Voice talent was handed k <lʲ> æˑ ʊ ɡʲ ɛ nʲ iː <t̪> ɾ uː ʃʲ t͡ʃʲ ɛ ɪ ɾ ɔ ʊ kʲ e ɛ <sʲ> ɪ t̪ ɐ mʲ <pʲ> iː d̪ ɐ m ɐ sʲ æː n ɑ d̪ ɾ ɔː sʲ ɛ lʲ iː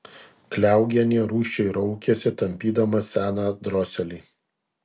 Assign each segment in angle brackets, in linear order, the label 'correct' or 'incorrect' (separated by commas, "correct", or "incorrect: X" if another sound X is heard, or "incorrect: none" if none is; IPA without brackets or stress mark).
correct, incorrect: none, correct, correct